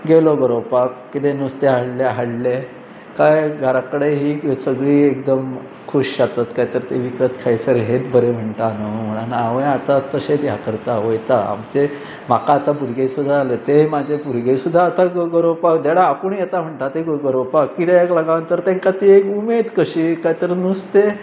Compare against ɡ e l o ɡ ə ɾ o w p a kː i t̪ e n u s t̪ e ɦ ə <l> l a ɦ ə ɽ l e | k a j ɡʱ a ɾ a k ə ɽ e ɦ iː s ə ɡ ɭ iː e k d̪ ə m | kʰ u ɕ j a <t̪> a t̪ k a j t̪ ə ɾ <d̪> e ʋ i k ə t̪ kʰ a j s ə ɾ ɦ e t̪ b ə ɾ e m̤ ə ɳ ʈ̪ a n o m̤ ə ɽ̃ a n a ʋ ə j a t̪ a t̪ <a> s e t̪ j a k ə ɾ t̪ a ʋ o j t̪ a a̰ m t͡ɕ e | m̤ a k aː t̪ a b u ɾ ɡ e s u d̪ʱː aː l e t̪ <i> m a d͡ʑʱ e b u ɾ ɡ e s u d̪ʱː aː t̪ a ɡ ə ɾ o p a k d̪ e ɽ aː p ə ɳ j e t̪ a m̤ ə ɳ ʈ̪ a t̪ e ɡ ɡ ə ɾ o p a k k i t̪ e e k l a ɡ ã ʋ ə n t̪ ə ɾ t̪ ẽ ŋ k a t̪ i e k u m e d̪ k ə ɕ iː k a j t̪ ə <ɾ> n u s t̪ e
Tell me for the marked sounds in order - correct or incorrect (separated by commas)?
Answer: incorrect, correct, incorrect, incorrect, incorrect, correct